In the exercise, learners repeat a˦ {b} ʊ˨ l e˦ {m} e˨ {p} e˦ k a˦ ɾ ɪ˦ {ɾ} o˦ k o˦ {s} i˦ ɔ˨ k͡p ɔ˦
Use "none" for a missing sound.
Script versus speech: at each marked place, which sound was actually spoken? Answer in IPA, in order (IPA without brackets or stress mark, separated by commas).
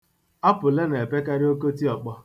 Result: p, n, p, none, t